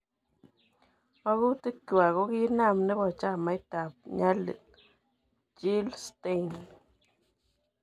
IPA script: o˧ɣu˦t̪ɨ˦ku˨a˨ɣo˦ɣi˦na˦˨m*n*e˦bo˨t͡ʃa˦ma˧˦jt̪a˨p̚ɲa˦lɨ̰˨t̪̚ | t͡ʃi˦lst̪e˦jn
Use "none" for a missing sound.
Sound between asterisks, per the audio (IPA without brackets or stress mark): n